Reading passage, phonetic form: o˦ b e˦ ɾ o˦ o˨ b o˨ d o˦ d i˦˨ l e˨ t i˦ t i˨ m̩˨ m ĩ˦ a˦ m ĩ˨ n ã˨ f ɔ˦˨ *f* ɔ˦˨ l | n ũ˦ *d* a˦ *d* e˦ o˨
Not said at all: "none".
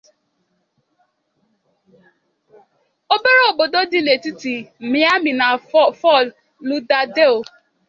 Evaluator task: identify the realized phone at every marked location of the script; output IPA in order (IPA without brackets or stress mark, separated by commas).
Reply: f, d, d